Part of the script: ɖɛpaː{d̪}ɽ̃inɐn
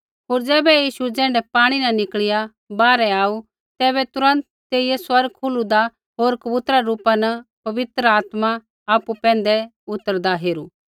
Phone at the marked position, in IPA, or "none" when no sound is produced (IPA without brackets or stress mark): none